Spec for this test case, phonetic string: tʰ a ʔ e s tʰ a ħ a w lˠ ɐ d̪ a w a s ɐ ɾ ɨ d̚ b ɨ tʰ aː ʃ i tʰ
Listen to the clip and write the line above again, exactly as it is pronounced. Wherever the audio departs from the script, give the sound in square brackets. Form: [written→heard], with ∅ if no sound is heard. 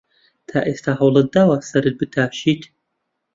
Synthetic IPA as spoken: tʰ a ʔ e s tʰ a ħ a w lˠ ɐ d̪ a w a s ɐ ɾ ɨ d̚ b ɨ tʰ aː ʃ i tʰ